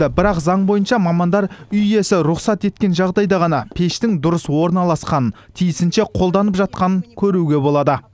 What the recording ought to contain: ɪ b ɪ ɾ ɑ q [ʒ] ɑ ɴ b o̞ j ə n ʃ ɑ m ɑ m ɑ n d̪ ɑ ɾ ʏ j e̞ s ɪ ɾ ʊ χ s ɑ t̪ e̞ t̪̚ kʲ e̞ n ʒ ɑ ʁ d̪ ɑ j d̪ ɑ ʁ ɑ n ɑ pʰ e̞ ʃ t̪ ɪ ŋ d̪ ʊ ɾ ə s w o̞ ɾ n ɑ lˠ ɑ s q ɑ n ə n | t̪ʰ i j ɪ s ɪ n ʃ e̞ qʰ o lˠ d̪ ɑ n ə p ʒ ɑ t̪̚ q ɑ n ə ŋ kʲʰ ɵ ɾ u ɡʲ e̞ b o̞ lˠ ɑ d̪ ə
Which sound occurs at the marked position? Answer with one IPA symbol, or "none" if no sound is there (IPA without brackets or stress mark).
z